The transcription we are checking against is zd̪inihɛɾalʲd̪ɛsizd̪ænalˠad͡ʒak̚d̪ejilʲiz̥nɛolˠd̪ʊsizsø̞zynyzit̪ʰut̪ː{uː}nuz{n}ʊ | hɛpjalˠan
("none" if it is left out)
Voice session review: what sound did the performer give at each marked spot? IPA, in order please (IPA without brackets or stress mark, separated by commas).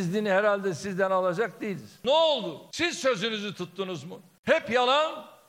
u, m